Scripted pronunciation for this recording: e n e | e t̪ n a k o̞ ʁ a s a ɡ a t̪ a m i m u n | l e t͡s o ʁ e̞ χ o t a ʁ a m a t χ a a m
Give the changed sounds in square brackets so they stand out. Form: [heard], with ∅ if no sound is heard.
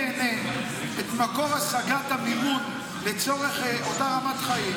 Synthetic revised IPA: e n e | e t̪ [m] a k o̞ ʁ a s a ɡ a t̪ a m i m u n | l e t͡s o ʁ e̞ χ o t a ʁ a m a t χ a [i] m